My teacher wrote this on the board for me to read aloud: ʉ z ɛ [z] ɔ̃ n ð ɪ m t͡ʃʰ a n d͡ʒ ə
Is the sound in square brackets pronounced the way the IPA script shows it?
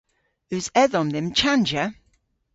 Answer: no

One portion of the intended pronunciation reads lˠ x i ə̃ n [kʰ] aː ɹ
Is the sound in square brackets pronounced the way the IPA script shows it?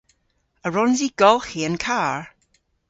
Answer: yes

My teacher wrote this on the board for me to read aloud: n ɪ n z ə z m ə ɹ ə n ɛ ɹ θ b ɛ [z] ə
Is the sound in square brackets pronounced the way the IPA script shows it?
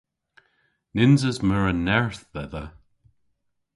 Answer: no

